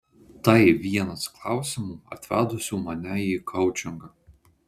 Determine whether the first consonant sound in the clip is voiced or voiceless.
voiceless